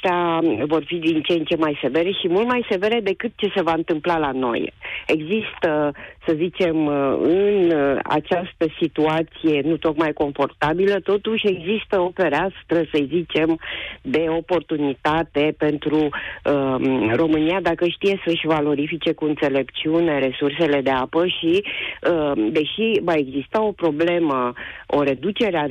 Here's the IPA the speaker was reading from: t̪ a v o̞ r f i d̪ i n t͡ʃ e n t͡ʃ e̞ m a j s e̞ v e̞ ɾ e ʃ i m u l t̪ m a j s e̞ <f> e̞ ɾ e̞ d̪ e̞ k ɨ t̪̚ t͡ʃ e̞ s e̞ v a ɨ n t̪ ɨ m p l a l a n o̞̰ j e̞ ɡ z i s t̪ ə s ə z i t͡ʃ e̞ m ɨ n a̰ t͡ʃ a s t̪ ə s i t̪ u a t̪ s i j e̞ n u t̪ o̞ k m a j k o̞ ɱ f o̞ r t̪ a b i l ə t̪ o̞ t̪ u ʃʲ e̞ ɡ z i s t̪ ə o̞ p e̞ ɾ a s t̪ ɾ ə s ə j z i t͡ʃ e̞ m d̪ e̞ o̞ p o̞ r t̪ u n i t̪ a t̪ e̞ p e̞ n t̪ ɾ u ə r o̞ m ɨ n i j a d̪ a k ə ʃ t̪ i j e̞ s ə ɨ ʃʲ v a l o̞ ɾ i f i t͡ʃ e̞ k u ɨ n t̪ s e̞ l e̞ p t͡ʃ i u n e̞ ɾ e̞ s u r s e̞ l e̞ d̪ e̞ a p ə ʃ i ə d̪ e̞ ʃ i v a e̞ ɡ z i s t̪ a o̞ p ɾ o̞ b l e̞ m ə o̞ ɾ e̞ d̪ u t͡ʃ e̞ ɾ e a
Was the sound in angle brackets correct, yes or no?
no